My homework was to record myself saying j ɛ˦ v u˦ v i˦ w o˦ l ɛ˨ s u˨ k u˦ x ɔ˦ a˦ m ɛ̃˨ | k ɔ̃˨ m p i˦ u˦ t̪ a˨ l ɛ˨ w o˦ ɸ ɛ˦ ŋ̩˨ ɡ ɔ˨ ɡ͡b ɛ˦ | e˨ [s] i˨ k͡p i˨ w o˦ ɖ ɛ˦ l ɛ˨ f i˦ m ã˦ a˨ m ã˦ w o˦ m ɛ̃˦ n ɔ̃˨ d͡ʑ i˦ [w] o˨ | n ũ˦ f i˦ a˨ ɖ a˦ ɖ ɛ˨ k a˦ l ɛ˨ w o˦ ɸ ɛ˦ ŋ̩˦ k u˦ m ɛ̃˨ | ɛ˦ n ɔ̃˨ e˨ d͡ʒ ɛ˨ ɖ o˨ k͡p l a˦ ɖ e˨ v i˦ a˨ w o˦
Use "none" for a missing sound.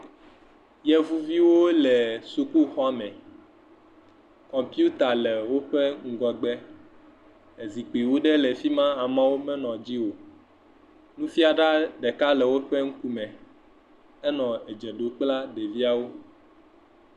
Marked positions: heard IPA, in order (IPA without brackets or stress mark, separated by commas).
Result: z, w